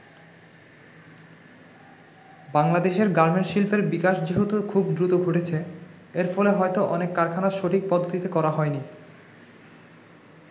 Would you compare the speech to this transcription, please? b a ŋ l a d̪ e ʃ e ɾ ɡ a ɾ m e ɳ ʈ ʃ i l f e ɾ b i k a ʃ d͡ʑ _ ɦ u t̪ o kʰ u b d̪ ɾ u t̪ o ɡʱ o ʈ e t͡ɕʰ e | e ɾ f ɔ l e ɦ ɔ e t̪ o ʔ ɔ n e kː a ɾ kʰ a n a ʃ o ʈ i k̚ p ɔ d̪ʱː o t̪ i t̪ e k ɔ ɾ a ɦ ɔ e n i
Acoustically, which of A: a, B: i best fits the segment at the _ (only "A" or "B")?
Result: B